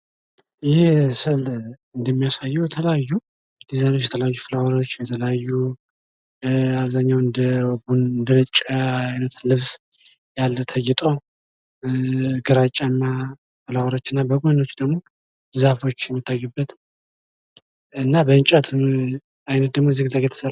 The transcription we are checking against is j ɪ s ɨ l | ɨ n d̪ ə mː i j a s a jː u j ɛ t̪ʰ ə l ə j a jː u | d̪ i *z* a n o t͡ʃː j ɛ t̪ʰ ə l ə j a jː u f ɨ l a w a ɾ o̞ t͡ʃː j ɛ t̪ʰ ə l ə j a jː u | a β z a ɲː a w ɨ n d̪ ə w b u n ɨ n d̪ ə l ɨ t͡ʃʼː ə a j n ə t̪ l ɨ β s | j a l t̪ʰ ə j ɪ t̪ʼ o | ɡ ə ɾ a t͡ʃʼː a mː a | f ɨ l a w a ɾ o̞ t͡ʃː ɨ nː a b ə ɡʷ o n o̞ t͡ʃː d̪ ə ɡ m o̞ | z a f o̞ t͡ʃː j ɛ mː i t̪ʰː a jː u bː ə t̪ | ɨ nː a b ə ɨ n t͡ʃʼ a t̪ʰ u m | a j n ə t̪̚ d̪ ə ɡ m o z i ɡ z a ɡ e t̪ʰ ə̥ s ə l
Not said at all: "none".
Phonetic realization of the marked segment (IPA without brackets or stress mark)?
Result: z